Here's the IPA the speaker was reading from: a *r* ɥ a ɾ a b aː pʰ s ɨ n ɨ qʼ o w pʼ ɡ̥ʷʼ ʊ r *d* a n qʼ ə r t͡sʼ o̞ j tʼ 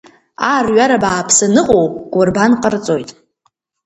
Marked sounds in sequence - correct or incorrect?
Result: correct, incorrect: b

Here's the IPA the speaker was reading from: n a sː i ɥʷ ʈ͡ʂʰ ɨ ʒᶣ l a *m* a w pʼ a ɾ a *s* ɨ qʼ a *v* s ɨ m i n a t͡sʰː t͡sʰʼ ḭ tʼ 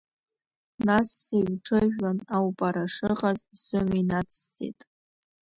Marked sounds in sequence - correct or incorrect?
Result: incorrect: n, incorrect: ʂ, incorrect: z

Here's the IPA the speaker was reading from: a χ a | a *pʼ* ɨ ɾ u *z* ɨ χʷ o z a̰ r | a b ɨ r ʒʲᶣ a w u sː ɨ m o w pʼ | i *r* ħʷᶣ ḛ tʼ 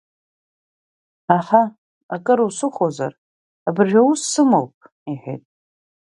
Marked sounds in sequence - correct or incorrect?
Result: incorrect: kʼ, incorrect: s, incorrect: none

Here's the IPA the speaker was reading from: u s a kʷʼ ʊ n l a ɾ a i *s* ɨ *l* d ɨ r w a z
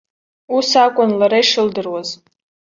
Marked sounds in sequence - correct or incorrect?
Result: incorrect: ʂ, correct

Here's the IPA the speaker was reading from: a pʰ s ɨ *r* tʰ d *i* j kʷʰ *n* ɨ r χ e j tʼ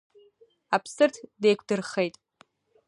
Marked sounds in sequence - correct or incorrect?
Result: correct, incorrect: e, incorrect: d

